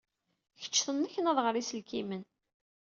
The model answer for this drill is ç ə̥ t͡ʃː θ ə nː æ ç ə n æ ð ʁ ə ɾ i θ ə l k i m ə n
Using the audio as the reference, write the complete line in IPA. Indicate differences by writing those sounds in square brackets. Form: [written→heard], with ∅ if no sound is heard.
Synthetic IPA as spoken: ç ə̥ t͡ʃː θ ə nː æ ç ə n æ ð ʁ ə ɾ i [θ→s] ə l k i m ə n